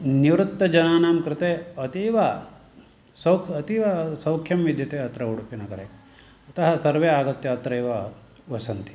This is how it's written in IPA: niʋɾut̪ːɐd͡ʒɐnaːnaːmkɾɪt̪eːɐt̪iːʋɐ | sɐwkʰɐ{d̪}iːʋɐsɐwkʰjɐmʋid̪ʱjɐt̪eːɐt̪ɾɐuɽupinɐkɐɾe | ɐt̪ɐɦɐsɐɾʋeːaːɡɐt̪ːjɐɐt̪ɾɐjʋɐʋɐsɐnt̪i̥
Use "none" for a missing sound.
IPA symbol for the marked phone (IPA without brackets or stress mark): t̪